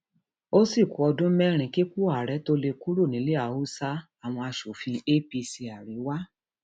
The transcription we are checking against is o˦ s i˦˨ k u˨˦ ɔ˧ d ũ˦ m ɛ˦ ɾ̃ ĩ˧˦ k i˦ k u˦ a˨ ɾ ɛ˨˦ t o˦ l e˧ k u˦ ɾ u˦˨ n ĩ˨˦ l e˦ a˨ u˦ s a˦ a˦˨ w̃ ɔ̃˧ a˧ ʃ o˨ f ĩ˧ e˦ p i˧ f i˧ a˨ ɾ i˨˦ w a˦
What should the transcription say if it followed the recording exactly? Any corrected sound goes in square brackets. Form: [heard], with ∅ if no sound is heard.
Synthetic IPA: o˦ s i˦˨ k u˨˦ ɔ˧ d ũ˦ m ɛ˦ ɾ̃ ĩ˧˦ k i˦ k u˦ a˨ ɾ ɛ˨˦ t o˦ l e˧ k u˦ ɾ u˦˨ n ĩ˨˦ l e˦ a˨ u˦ s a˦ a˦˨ w̃ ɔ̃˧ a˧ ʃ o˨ f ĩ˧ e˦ p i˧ [s] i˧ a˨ ɾ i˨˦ w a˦